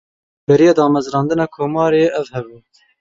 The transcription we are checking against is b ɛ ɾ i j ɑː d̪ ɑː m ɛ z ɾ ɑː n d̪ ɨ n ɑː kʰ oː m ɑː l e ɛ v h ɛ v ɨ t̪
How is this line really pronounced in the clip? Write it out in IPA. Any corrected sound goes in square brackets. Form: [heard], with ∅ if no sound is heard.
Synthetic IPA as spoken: b ɛ ɾ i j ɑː d̪ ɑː m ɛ z ɾ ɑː n d̪ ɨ n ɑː kʰ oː m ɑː [ɾ] e ɛ v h ɛ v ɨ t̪